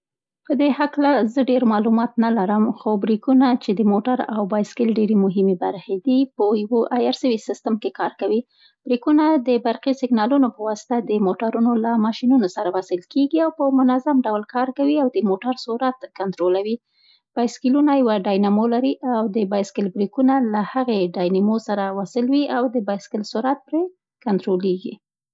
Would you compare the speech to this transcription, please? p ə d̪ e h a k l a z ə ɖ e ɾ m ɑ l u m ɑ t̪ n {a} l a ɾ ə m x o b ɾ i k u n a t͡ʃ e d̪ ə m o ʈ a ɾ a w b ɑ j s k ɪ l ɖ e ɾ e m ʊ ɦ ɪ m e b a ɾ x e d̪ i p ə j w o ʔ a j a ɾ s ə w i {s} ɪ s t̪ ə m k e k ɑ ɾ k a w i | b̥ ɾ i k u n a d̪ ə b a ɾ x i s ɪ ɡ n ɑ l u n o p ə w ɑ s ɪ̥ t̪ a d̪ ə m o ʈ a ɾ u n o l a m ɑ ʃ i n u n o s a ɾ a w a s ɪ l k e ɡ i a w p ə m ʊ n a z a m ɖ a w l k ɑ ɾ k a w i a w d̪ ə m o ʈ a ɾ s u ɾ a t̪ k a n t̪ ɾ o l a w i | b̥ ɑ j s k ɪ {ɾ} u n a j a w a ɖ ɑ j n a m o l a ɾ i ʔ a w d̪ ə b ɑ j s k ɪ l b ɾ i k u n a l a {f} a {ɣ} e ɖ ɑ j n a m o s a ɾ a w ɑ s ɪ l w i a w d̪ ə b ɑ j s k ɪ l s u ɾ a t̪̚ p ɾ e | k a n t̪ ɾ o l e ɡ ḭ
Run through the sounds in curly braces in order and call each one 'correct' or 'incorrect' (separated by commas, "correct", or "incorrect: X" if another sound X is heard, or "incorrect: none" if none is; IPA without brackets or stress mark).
correct, correct, incorrect: l, incorrect: h, correct